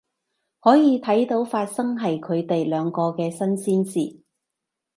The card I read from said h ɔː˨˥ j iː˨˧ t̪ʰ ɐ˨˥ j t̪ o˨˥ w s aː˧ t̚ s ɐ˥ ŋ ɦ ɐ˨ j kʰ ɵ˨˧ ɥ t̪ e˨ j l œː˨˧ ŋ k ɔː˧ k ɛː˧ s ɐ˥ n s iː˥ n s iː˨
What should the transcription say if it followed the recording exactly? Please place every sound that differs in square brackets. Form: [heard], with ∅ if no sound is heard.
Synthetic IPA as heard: h ɔː˨˥ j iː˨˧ t̪ʰ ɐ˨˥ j t̪ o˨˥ w [f] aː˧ t̚ s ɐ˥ ŋ ɦ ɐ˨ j kʰ ɵ˨˧ ɥ t̪ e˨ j l œː˨˧ ŋ k ɔː˧ k ɛː˧ s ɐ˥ n s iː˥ n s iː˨